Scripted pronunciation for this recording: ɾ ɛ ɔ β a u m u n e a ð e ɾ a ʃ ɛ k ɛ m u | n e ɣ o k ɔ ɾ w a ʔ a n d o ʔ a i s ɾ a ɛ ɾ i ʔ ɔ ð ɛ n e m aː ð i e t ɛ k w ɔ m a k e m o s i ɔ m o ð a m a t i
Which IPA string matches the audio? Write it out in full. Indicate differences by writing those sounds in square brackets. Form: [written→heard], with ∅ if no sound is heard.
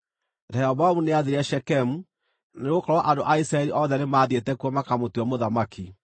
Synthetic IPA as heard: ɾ ɛ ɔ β a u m u n e a ð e ɾ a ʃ ɛ k ɛ m u | n e ɣ o k ɔ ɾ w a ʔ a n d o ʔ a i s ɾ a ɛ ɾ i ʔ ɔ ð ɛ n e m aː ð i e t ɛ k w ɔ m a k [e→a] m o [s→t] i ɔ m o ð a m a [t→k] i